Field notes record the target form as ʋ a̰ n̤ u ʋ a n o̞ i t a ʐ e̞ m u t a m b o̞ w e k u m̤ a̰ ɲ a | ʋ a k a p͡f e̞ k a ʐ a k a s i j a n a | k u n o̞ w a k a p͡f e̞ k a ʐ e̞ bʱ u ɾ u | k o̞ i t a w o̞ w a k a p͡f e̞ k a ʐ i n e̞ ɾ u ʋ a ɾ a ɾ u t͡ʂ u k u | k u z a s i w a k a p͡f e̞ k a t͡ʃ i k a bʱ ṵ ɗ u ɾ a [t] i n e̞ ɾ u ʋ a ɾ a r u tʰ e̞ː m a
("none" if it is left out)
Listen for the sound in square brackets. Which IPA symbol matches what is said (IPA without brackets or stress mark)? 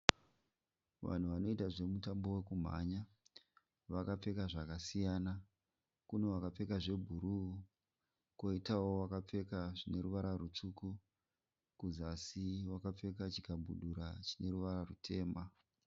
t͡ʃ